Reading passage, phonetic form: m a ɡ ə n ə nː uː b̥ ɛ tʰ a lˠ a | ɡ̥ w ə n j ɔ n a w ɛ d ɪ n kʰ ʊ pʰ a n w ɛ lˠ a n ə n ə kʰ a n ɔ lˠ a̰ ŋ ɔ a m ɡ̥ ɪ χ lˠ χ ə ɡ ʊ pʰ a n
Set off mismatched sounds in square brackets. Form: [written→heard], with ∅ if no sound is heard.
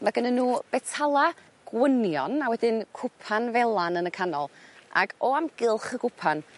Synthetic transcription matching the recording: m a ɡ ə n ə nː uː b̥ ɛ tʰ a lˠ a | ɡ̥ w ə n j ɔ n a w ɛ d ɪ n kʰ ʊ pʰ a n [w→v] ɛ lˠ a n ə n ə kʰ a n ɔ lˠ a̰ [ŋ→ɡ] ɔ a m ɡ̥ ɪ [χ→∅] lˠ χ ə ɡ ʊ pʰ a n